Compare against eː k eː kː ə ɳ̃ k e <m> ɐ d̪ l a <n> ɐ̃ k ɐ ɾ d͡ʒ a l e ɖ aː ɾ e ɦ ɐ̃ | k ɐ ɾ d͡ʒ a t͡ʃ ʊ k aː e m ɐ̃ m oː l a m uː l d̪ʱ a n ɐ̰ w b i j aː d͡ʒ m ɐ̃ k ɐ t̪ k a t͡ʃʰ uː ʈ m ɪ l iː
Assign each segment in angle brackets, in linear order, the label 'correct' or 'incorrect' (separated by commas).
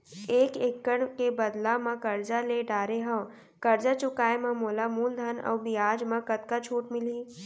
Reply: incorrect, incorrect